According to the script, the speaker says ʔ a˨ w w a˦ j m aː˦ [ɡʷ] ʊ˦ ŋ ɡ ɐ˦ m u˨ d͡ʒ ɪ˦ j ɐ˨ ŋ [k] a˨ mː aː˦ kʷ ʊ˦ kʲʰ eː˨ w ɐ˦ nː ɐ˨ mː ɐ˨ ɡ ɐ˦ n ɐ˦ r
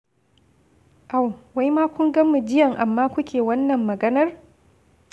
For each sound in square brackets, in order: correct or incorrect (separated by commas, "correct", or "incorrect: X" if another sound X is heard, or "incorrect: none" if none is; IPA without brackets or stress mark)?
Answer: incorrect: kʷ, incorrect: ʔ